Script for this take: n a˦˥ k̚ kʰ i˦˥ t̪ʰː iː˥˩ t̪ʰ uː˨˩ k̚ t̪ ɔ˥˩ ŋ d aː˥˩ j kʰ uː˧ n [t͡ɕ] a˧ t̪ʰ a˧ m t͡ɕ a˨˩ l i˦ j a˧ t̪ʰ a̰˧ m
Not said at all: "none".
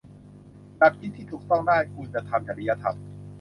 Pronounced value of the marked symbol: t͡ɕ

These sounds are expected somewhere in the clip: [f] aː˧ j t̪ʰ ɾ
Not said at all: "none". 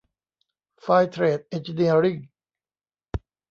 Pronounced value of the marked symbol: f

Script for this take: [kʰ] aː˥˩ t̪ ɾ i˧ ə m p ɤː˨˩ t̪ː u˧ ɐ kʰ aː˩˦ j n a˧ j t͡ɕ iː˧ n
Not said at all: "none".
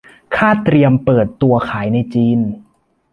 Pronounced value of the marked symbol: kʰ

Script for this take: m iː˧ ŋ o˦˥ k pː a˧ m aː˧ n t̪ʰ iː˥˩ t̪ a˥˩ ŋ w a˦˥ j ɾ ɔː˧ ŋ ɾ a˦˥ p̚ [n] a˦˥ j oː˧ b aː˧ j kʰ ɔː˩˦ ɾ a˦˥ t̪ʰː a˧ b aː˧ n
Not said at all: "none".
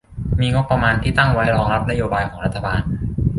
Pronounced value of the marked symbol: n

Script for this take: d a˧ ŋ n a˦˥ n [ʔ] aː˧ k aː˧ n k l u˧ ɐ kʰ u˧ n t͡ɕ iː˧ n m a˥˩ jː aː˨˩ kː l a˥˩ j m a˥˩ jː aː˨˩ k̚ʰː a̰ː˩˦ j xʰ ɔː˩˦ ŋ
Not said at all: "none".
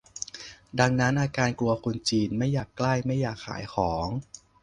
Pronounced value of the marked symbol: ʔ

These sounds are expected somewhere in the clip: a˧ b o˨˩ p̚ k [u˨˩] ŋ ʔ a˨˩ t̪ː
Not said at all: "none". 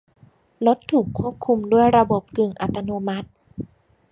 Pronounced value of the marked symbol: ɯ˨˩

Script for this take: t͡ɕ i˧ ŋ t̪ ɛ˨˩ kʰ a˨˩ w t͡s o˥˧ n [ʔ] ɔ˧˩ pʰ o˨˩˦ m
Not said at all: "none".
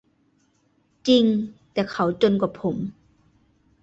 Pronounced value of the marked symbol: k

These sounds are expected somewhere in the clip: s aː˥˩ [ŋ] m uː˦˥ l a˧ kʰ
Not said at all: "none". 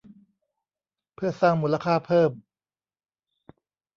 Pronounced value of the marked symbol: ŋ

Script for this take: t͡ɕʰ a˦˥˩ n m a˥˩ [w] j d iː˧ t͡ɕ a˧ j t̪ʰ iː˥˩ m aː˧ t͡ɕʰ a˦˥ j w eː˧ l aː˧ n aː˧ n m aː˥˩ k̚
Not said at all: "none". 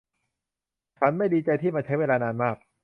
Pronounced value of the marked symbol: none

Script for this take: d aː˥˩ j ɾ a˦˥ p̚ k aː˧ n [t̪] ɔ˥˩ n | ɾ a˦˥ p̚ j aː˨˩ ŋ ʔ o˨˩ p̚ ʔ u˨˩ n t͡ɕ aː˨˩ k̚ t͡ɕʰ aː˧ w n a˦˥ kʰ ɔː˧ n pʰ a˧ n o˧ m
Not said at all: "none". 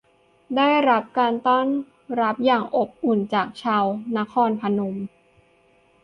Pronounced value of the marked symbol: t̪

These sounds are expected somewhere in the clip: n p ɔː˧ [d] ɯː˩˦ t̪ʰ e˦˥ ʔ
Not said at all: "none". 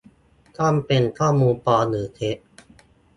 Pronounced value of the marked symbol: n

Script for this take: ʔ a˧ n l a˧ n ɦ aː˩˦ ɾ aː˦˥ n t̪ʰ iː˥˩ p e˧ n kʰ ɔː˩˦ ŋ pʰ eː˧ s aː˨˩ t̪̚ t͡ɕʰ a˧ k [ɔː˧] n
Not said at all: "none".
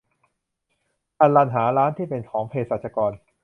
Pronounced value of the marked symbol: ɔː˧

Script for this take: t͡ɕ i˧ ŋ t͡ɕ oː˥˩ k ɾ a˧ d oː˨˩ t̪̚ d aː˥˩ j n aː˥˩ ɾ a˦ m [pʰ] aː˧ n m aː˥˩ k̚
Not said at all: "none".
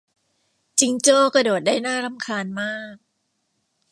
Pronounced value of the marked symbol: kʰ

